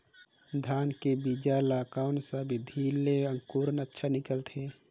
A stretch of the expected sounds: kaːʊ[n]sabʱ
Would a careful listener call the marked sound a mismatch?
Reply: no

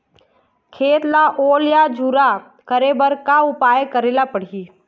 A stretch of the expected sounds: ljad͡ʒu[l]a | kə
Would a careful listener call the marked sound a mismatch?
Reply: yes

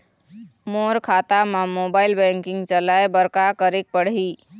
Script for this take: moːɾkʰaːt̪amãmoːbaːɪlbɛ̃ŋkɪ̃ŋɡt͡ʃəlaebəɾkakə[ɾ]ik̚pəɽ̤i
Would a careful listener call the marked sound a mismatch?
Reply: no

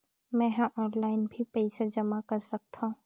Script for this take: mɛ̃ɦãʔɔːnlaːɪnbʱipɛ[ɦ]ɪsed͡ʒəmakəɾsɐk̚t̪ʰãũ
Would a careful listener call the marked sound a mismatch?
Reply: yes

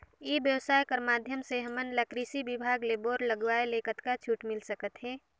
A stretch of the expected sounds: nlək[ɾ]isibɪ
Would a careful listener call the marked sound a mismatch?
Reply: no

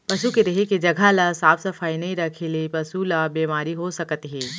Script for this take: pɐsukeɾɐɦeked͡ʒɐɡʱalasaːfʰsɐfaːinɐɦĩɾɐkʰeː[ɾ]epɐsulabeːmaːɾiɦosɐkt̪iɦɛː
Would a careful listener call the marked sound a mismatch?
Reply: yes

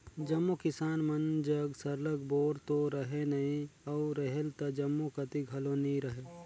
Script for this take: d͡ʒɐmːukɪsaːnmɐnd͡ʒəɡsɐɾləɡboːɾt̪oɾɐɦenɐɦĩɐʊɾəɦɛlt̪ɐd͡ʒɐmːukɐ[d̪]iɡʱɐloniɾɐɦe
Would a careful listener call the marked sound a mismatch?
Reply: yes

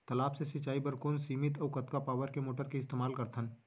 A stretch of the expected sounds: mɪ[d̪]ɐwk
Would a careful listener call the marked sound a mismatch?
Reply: yes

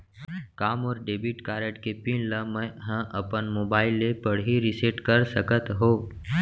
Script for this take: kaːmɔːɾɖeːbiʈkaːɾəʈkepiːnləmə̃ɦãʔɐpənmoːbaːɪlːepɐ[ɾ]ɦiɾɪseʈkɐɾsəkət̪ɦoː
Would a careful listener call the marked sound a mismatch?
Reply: yes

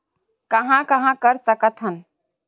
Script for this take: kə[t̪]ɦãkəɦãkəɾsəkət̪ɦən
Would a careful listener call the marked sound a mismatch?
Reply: yes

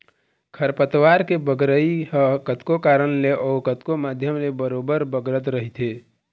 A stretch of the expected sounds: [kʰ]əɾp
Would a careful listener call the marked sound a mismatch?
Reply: no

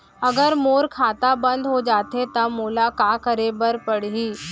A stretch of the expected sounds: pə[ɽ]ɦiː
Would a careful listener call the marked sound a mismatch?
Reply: no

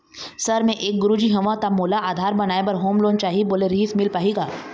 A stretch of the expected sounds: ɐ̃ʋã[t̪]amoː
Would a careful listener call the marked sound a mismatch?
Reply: no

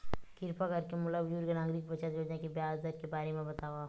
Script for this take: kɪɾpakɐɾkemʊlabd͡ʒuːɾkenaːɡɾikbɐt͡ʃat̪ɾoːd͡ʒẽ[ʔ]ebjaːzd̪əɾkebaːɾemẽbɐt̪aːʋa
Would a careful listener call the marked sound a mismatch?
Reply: yes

